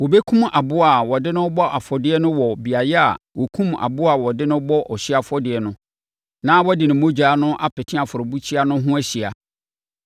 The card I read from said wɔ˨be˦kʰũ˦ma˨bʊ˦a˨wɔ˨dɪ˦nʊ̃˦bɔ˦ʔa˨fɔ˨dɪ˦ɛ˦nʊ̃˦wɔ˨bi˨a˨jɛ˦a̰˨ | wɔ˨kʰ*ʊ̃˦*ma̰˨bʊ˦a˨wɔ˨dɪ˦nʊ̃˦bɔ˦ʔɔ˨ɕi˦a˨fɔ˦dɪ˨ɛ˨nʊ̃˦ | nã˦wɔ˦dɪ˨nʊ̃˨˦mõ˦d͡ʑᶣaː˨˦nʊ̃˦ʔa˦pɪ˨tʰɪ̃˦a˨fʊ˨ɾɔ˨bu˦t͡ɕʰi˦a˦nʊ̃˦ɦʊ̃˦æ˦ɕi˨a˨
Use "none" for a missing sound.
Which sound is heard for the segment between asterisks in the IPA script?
ũ˦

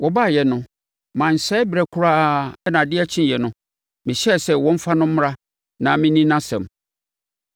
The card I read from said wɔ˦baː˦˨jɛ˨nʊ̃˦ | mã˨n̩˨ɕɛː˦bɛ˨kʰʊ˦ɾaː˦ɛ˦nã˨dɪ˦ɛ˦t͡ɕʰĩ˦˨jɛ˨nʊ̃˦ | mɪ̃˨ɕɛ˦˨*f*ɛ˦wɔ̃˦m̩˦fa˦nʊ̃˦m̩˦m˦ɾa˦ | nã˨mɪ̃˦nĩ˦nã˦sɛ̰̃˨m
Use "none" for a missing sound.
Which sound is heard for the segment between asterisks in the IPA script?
s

